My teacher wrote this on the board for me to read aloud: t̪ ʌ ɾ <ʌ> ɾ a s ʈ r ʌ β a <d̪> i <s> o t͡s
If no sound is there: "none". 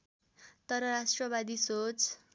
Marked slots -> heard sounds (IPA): ʌ, d̪, s

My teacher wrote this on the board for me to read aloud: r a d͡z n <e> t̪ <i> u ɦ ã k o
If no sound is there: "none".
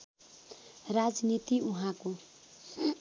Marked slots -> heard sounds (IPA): i, i

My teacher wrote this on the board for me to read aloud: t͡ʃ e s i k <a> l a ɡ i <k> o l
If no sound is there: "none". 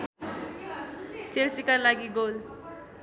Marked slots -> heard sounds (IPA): a, ɡ

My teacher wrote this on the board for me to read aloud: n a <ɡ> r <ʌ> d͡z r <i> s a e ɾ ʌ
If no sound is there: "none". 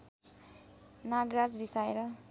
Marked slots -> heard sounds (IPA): ɡ, a, i

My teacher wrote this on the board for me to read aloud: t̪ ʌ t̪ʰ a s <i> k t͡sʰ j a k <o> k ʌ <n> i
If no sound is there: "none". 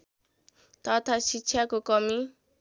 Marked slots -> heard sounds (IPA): i, o, m

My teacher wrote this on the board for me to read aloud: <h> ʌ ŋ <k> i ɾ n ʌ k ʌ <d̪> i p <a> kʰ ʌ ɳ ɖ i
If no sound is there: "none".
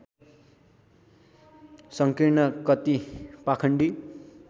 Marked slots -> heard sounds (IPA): s, k, t̪, a

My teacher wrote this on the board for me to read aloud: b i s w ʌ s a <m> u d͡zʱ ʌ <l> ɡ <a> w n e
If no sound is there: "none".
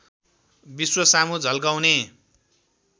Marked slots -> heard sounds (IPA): m, l, a

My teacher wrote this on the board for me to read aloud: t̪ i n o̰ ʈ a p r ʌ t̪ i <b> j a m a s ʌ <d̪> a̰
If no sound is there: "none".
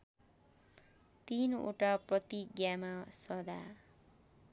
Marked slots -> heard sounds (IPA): ɡ, d̪

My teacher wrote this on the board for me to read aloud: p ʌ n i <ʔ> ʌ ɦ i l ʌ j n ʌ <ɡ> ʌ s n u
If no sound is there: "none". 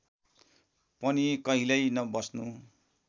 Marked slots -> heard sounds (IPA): k, b

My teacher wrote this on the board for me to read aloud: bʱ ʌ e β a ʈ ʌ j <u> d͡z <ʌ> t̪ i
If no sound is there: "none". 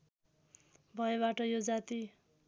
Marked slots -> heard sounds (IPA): o, a

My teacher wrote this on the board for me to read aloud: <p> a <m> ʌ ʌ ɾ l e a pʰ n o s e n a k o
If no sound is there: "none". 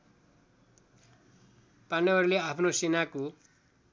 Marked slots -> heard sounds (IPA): p, n

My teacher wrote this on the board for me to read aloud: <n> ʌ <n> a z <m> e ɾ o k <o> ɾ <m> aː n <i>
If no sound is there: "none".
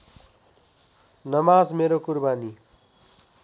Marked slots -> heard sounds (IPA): n, m, m, u, b, i

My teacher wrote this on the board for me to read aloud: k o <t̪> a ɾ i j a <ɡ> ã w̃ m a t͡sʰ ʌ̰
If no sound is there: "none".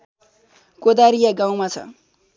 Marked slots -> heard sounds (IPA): d̪, ɡ

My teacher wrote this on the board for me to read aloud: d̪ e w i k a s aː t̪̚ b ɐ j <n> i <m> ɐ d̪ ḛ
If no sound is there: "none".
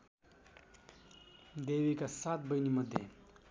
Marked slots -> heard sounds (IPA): n, m

